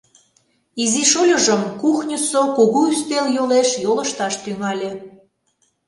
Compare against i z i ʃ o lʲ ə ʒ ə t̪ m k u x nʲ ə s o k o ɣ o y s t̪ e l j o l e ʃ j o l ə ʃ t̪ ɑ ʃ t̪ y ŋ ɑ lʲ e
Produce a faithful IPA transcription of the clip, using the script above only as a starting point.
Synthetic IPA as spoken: i z i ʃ o lʲ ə ʒ ə m k u x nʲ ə s o k o ɣ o y s t̪ e l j o l e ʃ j o l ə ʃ t̪ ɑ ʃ t̪ y ŋ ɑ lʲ e